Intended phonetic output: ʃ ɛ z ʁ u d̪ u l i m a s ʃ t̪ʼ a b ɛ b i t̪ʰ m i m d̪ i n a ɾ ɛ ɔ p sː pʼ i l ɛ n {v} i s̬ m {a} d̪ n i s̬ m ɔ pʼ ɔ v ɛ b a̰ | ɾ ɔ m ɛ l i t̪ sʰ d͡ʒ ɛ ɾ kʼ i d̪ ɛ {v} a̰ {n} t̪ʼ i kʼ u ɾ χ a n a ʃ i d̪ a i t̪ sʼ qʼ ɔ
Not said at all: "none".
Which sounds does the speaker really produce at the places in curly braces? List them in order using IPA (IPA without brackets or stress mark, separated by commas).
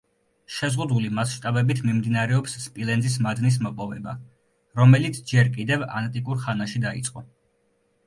z, a, v, n